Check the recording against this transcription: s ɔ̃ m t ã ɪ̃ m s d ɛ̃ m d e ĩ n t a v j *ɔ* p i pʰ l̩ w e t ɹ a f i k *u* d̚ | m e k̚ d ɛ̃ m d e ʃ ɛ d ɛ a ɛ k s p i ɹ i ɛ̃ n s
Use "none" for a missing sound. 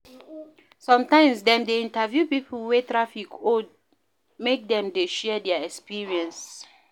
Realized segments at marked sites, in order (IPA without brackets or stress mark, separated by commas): u, o